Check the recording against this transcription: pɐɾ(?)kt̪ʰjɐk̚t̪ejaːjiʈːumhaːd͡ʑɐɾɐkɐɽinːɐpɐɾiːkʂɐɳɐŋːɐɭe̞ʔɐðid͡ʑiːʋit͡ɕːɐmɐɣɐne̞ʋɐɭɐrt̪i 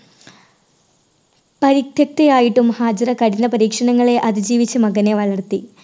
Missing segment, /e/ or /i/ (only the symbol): i